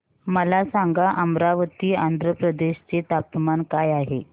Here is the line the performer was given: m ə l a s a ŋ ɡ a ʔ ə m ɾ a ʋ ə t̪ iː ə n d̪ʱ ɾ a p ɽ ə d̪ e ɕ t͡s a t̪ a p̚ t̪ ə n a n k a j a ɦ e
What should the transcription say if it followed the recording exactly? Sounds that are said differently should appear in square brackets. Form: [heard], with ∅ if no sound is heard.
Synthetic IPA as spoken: m ə l a s a ŋ ɡ a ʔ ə m ɾ a ʋ ə t̪ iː [a] n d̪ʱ ɾ [ə] p [ɾ] ə d̪ e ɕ t͡s [e] t̪ a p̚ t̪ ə [m] a n k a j a ɦ e